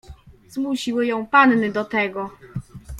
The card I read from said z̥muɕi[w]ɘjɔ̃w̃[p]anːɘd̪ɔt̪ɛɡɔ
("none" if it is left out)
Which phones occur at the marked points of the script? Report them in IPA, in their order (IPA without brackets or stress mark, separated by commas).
w, p